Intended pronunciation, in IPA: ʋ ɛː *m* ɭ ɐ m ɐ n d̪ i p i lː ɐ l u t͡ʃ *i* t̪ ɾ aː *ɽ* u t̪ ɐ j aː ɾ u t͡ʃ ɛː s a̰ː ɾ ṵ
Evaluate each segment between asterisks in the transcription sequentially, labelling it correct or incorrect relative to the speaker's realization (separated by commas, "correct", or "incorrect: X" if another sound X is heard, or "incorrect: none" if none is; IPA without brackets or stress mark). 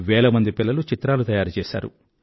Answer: incorrect: none, correct, incorrect: l